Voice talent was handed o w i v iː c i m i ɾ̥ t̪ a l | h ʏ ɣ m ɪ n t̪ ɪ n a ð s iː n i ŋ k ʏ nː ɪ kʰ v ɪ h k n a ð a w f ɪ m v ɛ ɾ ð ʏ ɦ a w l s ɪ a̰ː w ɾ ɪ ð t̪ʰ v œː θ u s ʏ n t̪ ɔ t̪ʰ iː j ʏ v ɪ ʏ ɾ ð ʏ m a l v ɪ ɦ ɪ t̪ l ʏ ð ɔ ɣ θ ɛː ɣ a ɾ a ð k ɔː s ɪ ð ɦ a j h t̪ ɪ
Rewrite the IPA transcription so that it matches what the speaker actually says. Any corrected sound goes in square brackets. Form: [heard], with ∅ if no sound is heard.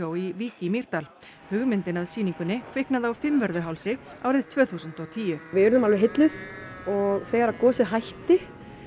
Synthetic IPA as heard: o w i v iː c i m i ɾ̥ t̪ a l | h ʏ ɣ m ɪ n t̪ ɪ n a ð s iː n i ŋ k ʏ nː ɪ kʰ v ɪ h k n a ð a w f ɪ m v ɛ ɾ ð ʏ ɦ a w l s ɪ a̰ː w ɾ ɪ ð t̪ʰ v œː θ u s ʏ n t̪ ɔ t̪ʰ iː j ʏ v ɪ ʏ ɾ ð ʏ m a l v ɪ ɦ ɪ t̪ l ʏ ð ɔ ɣ θ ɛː ɣ a ɾ a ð k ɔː s ɪ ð ɦ a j h t̪ ɪ